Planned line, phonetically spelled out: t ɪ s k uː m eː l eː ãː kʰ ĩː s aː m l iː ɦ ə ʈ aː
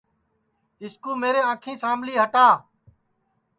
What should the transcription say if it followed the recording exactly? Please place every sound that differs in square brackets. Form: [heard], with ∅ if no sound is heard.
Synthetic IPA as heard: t ɪ s k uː m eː [ɾ] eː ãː kʰ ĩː s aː m l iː ɦ ə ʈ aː

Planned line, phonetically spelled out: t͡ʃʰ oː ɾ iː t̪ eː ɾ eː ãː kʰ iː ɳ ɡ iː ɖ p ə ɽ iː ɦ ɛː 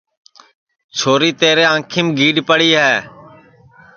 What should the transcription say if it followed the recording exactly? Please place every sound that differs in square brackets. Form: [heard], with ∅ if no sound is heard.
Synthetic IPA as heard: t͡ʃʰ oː ɾ iː t̪ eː ɾ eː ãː kʰ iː [m] ɡ iː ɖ p ə ɽ iː ɦ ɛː

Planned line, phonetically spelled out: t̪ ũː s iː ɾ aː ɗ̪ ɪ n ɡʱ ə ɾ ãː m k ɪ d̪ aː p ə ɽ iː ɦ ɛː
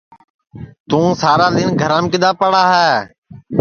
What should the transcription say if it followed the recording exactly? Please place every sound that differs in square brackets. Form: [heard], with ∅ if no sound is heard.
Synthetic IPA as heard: t̪ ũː s [aː] ɾ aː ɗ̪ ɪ n ɡʱ ə ɾ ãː m k ɪ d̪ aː p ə ɽ [aː] ɦ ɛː

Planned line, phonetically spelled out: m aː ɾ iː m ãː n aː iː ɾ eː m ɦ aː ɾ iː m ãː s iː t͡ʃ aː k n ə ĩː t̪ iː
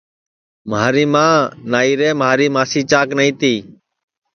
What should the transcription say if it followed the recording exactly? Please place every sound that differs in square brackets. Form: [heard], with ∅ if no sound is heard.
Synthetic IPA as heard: m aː ɾ iː m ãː n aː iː ɾ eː m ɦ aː ɾ iː m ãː s iː t͡ʃ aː k n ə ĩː t̪ iː

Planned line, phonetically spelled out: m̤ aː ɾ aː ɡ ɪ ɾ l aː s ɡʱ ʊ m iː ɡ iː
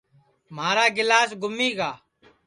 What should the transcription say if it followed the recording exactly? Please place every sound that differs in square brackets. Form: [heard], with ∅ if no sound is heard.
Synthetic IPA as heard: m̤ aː ɾ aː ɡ ɪ [∅] l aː s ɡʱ ʊ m iː ɡ [aː]

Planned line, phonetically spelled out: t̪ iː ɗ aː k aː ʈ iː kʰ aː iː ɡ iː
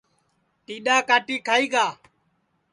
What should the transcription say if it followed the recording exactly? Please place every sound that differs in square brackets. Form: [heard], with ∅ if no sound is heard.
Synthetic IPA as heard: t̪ iː ɗ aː k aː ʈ iː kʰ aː iː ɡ [aː]

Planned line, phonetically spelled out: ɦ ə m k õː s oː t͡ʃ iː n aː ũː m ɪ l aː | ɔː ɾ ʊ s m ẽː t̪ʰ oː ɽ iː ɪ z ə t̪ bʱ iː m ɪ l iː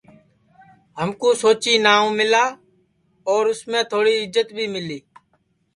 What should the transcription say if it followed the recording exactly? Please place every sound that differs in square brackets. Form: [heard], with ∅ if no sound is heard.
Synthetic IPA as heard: ɦ ə m k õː s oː t͡ʃ iː n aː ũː m ɪ l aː | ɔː ɾ ʊ s m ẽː t̪ʰ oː ɽ iː ɪ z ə t̪ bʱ iː m ɪ l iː

